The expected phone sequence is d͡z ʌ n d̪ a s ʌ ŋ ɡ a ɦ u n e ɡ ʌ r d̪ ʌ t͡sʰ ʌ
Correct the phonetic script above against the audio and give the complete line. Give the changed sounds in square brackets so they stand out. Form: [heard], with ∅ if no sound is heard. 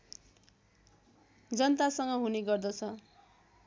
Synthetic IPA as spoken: d͡z ʌ n [t̪] a s ʌ ŋ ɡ [ʌ] ɦ u n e ɡ ʌ r d̪ ʌ t͡sʰ ʌ